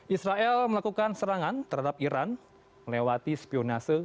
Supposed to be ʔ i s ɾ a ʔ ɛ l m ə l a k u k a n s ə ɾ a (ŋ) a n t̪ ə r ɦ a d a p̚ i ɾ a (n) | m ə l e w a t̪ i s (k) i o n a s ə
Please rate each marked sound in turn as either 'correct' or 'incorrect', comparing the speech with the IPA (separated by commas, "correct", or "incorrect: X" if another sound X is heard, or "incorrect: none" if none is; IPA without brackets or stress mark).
correct, correct, incorrect: p